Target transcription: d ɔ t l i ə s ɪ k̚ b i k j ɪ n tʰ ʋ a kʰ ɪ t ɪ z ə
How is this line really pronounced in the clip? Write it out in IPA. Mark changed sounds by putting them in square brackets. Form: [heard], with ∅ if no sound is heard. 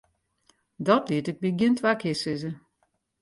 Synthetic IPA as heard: d ɔ t l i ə [t] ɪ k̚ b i [ɡ] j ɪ n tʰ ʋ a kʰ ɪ [s] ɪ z ə